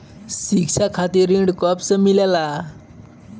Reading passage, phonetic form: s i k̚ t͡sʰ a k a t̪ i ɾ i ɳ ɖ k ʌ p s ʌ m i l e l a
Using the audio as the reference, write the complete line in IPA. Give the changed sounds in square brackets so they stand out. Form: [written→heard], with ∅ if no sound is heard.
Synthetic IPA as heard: s i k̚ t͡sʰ a [k→kʰ] a t̪ i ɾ i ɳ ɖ k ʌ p s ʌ m i l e l a